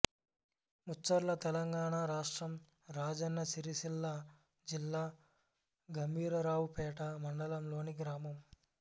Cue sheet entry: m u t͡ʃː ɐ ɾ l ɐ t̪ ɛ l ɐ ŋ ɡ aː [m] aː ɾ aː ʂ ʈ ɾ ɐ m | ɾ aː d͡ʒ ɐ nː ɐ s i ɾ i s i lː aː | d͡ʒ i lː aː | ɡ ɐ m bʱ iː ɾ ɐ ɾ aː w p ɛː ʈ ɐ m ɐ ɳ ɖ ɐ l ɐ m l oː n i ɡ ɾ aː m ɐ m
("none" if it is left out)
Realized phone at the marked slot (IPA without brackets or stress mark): ɳ